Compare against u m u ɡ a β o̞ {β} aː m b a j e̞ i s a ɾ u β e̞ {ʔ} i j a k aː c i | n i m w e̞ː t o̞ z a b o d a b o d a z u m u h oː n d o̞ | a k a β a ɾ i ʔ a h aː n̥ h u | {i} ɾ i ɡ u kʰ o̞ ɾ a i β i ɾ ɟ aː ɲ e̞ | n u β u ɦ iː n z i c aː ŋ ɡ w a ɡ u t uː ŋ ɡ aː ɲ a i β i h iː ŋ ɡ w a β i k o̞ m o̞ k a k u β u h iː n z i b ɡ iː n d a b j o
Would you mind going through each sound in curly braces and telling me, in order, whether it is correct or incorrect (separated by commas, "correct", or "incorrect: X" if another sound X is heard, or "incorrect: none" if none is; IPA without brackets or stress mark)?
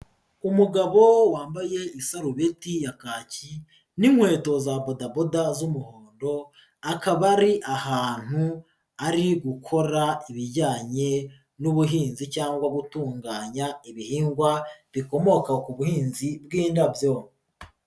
incorrect: w, incorrect: t, incorrect: a